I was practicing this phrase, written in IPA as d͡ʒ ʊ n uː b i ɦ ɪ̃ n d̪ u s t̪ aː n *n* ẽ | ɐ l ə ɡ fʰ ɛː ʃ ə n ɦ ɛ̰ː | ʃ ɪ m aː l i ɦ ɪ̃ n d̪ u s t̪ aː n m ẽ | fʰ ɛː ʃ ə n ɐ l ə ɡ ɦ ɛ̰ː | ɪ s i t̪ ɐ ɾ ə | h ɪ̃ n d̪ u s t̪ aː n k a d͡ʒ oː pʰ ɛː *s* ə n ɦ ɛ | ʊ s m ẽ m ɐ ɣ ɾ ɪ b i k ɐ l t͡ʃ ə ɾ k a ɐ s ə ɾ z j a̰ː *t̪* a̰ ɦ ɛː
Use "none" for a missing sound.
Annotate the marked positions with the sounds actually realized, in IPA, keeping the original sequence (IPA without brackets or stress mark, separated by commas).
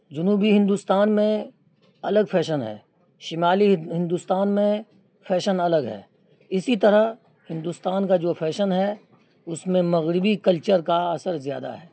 m, ʃ, d̪